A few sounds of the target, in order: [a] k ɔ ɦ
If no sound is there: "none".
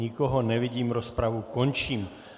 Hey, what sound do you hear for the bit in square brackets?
i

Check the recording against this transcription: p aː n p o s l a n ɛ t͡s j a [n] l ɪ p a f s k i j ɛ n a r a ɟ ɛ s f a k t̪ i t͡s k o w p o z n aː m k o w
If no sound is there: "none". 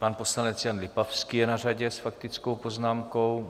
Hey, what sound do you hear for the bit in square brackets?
n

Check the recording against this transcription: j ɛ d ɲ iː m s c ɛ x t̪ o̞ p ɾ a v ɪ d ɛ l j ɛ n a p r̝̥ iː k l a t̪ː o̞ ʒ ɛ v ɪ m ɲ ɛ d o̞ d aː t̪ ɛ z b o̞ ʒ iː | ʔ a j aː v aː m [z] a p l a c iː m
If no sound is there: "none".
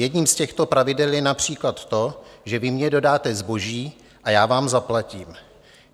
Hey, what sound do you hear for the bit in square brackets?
z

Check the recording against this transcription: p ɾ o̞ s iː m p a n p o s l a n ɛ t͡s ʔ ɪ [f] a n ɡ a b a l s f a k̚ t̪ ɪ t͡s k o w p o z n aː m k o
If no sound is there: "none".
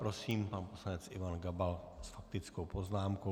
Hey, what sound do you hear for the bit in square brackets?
v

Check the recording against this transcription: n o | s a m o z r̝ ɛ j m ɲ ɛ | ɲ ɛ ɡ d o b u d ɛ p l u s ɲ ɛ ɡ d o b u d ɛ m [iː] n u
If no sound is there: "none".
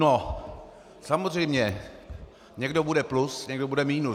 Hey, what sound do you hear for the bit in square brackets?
iː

